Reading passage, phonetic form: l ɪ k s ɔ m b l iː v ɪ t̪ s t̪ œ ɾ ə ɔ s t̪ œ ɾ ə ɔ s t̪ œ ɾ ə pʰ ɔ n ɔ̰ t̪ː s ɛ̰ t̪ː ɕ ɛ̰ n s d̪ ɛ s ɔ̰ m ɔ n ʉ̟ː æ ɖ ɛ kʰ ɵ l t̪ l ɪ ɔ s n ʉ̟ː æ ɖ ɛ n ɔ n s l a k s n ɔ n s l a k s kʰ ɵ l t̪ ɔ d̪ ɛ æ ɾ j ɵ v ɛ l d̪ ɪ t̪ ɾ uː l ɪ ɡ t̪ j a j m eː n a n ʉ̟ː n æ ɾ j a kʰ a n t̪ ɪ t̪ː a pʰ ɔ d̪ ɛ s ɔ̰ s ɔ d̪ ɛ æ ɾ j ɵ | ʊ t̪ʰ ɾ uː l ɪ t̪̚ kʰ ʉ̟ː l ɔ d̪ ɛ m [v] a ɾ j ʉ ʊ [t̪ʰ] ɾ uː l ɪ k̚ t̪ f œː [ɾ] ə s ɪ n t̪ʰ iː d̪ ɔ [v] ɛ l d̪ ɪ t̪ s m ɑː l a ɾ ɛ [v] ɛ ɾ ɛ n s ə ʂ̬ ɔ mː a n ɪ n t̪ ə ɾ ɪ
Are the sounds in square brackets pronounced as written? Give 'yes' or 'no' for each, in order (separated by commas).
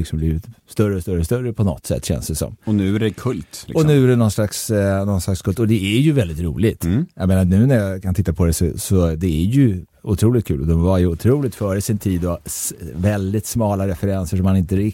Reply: yes, yes, yes, yes, no